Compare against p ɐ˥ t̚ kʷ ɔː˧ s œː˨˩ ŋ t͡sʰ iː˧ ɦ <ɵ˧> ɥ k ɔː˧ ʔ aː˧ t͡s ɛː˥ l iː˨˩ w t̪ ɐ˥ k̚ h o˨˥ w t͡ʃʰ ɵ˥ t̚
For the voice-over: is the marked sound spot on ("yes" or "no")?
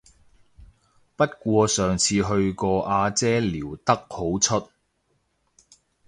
yes